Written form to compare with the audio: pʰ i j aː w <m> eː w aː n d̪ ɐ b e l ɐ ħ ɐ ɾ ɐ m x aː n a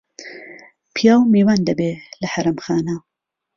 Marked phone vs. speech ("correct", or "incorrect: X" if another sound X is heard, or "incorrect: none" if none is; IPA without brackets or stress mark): correct